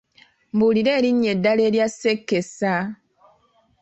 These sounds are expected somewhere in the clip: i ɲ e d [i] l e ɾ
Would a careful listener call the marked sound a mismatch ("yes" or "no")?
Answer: yes